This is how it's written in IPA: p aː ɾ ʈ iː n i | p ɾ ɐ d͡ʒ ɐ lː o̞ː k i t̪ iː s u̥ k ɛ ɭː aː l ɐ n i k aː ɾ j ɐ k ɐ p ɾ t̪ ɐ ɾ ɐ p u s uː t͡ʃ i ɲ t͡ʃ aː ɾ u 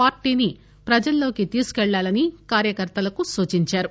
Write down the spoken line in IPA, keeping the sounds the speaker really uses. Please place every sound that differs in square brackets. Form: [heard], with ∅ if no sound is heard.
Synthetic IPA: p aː ɾ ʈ iː n i | p ɾ ɐ d͡ʒ ɐ lː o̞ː k i t̪ iː s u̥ k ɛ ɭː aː l ɐ n i k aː ɾ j ɐ k ɐ [∅] ɾ t̪ ɐ [l] ɐ [k] u s uː t͡ʃ i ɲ t͡ʃ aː ɾ u